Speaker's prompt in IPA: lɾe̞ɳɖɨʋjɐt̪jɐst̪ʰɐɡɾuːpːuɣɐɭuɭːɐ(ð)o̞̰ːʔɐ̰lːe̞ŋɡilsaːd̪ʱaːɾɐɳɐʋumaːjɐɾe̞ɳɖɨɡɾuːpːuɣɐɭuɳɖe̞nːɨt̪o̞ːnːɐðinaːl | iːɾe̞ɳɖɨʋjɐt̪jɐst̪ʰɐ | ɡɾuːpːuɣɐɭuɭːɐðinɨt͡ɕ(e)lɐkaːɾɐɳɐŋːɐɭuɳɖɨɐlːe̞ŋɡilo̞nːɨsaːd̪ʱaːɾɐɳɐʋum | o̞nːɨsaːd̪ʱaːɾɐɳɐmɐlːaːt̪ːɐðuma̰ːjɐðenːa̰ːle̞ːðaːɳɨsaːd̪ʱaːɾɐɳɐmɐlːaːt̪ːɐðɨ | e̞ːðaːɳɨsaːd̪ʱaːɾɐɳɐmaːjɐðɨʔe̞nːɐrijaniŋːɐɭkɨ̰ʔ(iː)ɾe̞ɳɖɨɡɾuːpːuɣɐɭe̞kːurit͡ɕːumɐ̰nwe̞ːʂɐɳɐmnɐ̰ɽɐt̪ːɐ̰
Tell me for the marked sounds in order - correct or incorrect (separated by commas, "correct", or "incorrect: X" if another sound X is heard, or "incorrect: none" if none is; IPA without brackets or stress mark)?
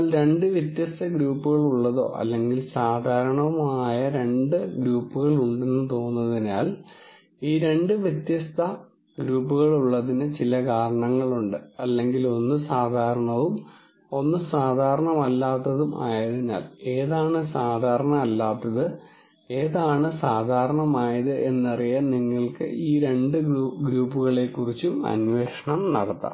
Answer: correct, incorrect: i, correct